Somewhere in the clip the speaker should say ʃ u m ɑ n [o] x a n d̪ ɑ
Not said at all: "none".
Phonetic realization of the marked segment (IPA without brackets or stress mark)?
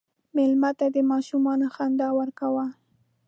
o